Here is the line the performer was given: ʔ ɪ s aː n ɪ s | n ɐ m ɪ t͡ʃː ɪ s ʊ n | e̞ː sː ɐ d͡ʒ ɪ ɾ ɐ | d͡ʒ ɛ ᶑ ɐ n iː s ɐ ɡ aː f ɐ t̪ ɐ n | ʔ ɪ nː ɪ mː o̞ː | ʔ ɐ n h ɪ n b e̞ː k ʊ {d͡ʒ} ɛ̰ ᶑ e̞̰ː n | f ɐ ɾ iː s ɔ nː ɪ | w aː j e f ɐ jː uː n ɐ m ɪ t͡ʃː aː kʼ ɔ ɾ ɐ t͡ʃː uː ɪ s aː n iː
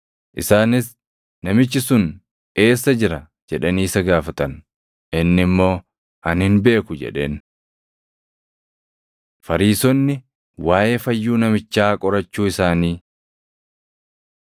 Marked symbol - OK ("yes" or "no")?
yes